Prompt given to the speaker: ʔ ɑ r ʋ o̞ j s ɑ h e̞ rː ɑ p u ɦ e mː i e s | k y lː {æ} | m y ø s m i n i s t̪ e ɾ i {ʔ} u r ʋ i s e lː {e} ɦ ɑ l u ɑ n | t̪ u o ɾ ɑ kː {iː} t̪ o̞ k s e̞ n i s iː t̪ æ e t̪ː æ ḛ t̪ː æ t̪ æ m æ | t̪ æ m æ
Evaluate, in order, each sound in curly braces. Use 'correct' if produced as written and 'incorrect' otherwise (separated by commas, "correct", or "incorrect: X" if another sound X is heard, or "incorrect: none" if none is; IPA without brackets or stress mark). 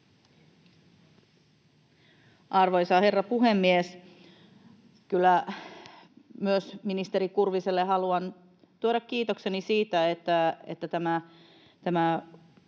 correct, incorrect: k, correct, correct